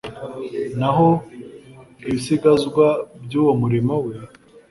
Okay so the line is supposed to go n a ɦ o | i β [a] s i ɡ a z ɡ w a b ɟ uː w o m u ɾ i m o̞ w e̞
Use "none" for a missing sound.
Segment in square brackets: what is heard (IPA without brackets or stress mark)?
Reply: i